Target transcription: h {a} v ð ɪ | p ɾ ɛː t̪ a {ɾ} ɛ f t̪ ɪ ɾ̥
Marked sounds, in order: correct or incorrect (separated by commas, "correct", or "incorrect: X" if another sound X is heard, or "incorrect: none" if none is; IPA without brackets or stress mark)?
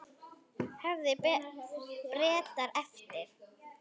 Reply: incorrect: ɛ, correct